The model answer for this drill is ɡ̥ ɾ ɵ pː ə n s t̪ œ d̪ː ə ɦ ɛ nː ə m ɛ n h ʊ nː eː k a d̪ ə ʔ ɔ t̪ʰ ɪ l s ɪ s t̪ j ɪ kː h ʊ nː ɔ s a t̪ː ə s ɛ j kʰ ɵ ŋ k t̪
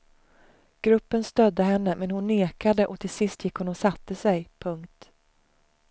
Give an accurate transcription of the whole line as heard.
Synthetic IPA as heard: ɡ̥ ɾ ɵ pː ə n s t̪ œ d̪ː ə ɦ ɛ nː ə m ɛ n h ʊ nː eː k a d̪ ə ʔ ɔ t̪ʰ ɪ l s ɪ s t̪ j ɪ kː h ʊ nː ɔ s a t̪ː ə s ɛ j pʰ ɵ ŋ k t̪

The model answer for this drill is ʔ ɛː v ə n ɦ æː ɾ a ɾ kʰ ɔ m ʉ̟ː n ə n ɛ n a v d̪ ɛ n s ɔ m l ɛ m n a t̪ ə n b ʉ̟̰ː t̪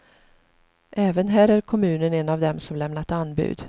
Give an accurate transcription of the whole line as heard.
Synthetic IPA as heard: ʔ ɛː v ə n ɦ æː ɾ æ ɾ kʰ ɔ m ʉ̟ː n ə n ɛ n a v d̪ ɛ m s ɔ m l ɛ m n a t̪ a n b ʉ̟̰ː d̪

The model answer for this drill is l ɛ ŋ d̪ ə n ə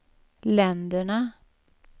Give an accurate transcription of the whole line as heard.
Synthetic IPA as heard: l ɛ n d̪ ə ɳ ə

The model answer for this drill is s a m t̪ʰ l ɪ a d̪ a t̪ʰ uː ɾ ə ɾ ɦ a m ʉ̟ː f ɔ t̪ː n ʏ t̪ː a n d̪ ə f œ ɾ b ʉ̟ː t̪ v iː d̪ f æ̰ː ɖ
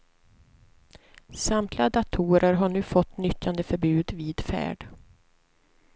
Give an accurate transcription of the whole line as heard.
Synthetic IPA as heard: s a m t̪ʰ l ɪ a d̪ a t̪ʰ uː ɾ ə ɾ ɦ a ɳ ʉ̟ː f ɔ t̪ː n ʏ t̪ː a n d̪ ə f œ ɾ b ʉ̟ː d̪ v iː d̪ f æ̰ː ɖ

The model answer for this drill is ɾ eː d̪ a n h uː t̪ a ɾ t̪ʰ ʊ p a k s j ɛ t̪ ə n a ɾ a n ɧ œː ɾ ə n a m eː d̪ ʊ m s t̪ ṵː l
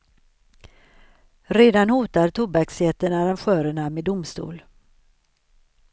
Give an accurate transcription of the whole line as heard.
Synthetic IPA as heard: ɾ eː d̪ a n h uː t̪ a ɾ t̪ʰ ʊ b a k s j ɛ t̪ ə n a ɾ a n ɧ œː ɾ ə ɳ a m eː d̪ ʊ m s t̪ ṵː l

